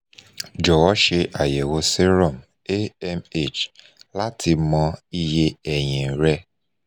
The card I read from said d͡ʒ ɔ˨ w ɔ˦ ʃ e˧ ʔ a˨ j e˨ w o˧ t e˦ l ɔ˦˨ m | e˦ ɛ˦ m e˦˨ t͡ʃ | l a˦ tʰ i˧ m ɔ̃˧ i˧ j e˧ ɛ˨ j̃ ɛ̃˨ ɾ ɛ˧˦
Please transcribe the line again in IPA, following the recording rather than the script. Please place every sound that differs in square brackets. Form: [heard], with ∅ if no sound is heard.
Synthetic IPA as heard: d͡ʒ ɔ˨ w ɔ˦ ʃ e˧ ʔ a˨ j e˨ w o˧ [s] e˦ [ɾ] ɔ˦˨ m | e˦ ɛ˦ m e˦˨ t͡ʃ | l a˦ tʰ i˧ m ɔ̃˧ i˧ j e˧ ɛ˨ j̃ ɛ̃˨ ɾ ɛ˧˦